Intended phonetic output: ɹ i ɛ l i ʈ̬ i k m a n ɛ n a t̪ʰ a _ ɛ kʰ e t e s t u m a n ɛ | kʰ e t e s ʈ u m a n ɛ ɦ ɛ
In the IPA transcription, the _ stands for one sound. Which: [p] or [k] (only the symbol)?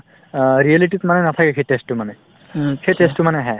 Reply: k